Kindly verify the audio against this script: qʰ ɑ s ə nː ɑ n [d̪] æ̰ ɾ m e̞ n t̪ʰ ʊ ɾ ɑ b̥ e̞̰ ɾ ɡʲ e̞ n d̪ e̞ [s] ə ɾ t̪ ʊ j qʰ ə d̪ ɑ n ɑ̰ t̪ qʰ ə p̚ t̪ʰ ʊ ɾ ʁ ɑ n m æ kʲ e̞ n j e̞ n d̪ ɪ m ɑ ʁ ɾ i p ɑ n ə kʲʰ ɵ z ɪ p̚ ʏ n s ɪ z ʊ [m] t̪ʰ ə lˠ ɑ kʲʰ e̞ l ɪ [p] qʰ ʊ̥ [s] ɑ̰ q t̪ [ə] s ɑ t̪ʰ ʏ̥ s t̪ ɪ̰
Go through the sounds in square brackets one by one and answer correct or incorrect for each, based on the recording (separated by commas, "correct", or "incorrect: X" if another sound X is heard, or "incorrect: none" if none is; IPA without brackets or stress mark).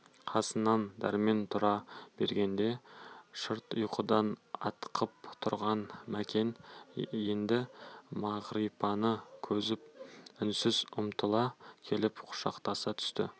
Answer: correct, incorrect: ʃ, correct, correct, incorrect: ʃ, incorrect: ɑ